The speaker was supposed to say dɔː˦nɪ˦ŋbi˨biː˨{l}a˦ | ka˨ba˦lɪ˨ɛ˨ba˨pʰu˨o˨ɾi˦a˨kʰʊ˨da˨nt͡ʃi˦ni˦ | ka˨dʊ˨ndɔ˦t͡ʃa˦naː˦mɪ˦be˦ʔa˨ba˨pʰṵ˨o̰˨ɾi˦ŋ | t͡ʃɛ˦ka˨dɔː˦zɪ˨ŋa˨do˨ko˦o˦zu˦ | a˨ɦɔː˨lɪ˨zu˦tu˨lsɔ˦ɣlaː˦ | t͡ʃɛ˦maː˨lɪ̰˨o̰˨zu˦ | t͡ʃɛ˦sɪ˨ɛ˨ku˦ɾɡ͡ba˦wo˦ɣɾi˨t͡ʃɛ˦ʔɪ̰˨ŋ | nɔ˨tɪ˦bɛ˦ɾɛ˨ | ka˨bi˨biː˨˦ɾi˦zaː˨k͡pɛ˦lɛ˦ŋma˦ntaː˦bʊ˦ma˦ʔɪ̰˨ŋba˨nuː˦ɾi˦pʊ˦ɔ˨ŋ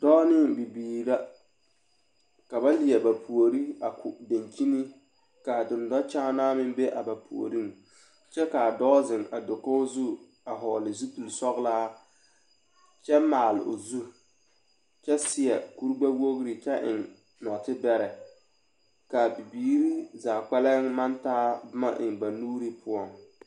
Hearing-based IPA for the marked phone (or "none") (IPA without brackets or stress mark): ɾ